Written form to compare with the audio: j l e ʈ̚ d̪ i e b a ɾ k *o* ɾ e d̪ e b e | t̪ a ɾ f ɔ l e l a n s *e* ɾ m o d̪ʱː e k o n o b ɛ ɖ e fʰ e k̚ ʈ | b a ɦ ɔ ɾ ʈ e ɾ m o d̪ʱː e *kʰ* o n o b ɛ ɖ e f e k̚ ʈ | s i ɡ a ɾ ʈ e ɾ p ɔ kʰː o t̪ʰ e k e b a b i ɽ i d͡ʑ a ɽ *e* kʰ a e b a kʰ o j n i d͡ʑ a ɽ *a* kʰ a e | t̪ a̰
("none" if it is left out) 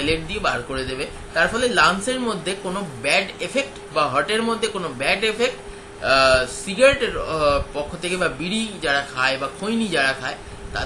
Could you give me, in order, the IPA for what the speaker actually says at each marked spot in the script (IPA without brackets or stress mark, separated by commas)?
o, e, k, a, a